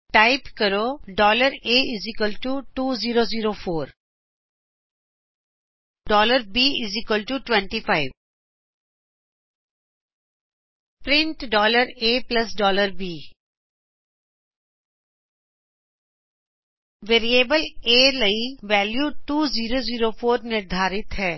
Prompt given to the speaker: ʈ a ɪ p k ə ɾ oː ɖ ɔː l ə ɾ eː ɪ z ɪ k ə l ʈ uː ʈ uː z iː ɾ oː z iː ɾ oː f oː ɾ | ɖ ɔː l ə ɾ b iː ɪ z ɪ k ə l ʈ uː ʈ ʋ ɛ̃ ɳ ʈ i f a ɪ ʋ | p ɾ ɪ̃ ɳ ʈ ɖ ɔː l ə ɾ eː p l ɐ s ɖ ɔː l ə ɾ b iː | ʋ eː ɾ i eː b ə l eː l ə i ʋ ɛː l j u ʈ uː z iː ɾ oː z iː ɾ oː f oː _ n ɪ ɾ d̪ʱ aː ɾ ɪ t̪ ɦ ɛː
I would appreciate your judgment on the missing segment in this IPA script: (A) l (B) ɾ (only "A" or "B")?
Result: B